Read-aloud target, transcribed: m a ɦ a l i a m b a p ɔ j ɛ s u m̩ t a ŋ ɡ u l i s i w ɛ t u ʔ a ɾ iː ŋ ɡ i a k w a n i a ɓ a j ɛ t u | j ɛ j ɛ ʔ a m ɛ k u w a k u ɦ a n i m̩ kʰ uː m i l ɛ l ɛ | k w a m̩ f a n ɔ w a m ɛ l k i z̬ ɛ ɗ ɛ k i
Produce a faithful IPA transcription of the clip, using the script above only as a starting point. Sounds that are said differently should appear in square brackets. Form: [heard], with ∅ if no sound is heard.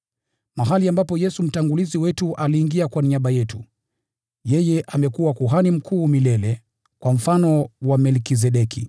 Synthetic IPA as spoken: m a ɦ a l i a m b a p ɔ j ɛ s u m̩ t a ŋ ɡ u l i [z] i w ɛ t u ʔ a [l] iː ŋ ɡ i a k w a n i a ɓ a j ɛ t u | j ɛ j ɛ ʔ a m ɛ k u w a k u ɦ a n i m̩ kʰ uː m i l ɛ l ɛ | k w a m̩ f a n ɔ w a m ɛ l k i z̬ ɛ ɗ ɛ k i